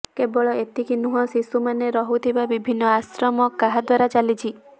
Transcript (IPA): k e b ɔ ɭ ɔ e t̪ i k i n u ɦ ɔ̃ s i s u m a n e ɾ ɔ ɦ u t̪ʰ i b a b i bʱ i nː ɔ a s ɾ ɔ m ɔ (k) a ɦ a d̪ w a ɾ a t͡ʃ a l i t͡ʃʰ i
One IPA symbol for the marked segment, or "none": k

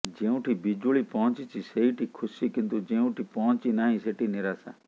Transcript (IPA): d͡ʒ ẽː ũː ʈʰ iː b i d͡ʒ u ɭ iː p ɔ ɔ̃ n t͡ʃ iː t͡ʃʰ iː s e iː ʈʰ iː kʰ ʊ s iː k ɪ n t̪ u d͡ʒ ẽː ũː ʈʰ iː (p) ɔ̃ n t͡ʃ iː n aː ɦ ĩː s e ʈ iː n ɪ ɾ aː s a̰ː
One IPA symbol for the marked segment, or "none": p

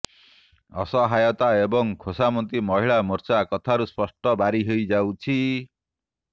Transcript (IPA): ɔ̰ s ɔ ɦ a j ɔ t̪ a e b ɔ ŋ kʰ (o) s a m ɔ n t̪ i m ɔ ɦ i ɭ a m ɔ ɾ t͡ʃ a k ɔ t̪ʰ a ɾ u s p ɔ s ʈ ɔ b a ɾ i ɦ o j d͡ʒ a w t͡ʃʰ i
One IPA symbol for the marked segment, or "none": o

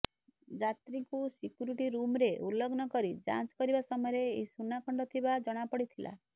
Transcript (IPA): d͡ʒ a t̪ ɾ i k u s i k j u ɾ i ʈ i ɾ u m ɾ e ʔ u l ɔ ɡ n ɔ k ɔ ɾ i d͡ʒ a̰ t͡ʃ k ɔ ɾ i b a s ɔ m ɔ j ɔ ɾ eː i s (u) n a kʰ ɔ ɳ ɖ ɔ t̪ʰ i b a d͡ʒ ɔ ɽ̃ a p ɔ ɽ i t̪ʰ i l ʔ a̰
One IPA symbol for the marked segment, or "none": u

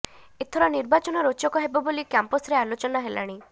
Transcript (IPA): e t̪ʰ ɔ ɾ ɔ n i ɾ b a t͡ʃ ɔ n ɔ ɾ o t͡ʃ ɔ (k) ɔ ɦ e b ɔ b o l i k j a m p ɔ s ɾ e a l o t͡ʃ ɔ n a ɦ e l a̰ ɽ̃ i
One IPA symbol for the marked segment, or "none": k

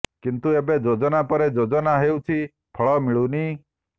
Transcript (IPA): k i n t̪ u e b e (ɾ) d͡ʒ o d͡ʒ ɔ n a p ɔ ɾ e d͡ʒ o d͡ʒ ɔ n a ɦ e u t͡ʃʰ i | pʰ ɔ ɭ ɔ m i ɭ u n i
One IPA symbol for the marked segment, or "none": none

